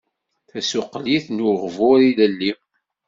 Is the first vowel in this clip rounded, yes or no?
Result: no